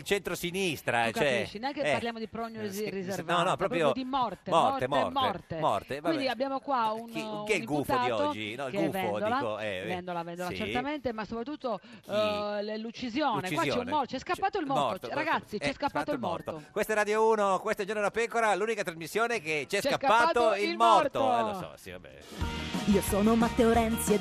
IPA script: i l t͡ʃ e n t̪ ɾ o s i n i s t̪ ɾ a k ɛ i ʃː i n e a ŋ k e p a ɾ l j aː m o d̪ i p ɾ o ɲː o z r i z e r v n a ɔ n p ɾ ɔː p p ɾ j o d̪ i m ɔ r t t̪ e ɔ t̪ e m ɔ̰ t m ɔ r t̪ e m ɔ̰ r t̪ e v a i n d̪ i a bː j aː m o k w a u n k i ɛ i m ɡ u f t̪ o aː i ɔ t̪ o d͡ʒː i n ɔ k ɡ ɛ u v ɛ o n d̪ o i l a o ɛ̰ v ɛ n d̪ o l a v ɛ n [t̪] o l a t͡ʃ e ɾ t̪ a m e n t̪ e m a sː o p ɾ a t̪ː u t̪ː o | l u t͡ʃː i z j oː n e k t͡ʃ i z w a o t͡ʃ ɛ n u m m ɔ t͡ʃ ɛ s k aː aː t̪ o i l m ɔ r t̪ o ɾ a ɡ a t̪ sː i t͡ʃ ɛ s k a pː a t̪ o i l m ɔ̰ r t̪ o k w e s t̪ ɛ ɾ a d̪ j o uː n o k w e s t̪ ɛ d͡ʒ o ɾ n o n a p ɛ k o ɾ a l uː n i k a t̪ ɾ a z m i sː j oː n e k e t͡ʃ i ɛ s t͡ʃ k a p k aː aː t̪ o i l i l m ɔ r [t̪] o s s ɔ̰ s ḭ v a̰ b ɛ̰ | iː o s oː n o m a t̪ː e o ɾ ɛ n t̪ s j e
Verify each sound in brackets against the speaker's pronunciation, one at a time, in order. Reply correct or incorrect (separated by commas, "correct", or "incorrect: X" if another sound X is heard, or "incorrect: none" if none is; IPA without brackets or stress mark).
incorrect: d̪, correct